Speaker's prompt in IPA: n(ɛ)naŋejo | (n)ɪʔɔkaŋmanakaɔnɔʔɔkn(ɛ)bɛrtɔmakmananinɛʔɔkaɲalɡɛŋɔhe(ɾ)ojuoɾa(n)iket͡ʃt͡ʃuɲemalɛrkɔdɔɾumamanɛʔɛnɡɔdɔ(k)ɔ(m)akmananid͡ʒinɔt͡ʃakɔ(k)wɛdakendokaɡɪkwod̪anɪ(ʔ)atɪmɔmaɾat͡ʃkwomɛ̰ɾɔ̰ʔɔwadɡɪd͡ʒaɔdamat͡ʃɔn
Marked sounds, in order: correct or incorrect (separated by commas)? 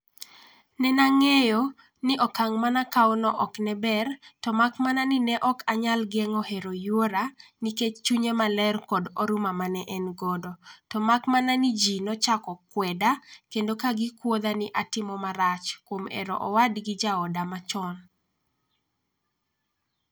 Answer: correct, correct, correct, correct, correct, incorrect, correct, correct, correct